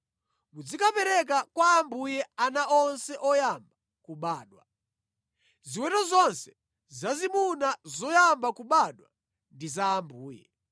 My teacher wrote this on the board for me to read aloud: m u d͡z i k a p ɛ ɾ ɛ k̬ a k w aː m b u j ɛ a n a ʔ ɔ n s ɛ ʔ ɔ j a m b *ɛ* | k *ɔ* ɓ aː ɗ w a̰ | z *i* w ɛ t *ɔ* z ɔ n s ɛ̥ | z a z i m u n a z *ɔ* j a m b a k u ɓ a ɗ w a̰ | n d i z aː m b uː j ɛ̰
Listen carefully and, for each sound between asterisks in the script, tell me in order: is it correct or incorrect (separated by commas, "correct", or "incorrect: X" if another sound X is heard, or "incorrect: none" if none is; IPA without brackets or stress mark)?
incorrect: a, incorrect: u, correct, correct, correct